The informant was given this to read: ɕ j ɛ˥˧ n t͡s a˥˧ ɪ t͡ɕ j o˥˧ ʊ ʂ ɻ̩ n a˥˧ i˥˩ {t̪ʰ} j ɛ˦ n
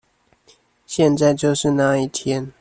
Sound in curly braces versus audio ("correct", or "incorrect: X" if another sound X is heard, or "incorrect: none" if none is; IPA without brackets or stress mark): correct